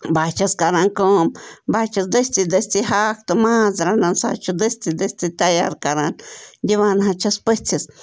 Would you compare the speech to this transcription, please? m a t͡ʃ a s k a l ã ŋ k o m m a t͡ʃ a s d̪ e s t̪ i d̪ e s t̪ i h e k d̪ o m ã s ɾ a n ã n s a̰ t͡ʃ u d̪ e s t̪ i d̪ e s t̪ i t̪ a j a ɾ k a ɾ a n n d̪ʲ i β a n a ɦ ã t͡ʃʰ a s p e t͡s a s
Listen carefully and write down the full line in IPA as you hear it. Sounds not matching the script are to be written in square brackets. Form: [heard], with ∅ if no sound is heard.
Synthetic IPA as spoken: [b] a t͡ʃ a s k a [ɾ] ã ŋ k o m [b] a t͡ʃ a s d̪ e s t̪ i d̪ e s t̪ i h [a] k [t̪] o m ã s ɾ a n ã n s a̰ t͡ʃ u d̪ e s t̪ i d̪ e s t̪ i t̪ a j a ɾ k a ɾ a n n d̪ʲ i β a n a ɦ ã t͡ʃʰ a s p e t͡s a s